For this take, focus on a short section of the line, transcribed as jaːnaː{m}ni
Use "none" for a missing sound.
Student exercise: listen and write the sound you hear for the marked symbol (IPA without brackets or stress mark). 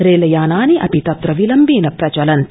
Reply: none